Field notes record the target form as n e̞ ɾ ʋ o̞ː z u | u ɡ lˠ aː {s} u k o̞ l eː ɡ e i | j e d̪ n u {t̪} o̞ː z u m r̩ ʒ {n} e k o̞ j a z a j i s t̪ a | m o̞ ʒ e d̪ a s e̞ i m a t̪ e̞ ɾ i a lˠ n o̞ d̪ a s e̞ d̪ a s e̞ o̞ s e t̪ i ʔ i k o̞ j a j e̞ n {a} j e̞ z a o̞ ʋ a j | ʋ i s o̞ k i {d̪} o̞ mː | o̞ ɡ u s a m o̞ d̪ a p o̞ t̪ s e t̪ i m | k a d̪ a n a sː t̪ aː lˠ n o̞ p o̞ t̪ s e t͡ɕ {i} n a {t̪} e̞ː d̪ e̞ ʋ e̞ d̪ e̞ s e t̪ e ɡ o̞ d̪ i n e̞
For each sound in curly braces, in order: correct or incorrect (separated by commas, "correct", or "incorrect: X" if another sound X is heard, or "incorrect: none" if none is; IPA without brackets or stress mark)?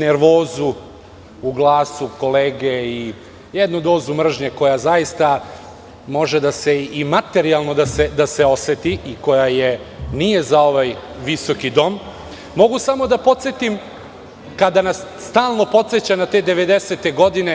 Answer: correct, incorrect: d̪, incorrect: ɲ, incorrect: i, correct, incorrect: a, correct